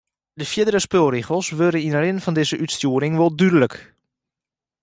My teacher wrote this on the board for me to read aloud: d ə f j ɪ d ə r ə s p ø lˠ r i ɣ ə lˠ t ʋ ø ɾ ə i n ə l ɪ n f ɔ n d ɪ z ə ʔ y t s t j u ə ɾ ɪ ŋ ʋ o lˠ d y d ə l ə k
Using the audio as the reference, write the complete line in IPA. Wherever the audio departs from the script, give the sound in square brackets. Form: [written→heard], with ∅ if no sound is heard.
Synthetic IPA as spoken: d ə f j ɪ d ə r ə s p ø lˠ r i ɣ ə lˠ [t→s] ʋ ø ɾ ə i n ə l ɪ n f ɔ n d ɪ z ə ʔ y t s t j u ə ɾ ɪ ŋ ʋ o lˠ d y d ə l ə k

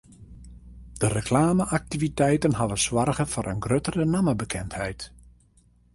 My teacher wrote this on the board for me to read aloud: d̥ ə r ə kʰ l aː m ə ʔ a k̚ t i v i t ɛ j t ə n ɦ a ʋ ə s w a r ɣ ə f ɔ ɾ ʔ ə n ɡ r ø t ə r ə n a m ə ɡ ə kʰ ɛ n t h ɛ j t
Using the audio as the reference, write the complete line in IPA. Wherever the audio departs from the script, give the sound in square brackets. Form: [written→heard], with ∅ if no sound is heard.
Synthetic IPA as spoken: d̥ ə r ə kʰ l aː m ə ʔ a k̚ t i v i t ɛ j t ə n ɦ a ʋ ə s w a r ɣ ə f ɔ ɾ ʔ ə n ɡ r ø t ə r ə n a m ə [ɡ→b] ə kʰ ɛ n t h ɛ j t

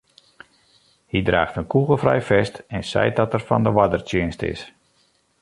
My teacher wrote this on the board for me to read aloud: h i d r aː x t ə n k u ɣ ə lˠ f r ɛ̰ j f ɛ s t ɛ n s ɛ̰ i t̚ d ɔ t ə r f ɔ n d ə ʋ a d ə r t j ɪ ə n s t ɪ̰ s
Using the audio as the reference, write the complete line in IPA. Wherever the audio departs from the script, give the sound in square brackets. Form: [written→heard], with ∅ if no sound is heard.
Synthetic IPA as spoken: h i d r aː x t ə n k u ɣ ə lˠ f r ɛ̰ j f ɛ s t ɛ n s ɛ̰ [i→j] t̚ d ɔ t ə r f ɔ n d ə ʋ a d ə r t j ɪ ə n s t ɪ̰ s

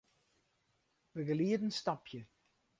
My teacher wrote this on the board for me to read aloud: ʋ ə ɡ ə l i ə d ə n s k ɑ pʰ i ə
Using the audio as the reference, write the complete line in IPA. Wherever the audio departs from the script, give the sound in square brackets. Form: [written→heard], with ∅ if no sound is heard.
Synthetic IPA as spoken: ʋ ə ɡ ə l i ə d ə n s [k→t] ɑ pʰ [i→j] ə

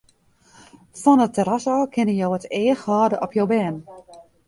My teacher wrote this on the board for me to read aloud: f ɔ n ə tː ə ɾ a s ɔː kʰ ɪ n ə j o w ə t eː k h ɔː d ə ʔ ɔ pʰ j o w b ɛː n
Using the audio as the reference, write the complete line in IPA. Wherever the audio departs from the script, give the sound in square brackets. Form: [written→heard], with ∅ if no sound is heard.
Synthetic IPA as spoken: f ɔ n ə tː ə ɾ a s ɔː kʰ ɪ n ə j o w ə t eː [k→x] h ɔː d ə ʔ ɔ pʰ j o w b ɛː n

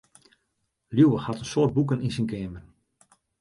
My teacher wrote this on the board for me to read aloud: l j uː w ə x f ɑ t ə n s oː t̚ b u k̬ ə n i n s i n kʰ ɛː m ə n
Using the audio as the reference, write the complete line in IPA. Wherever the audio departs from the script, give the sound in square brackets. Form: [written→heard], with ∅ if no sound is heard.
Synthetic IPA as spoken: l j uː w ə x [f→h] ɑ t ə n s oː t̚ b u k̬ ə n i n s i n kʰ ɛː m ə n

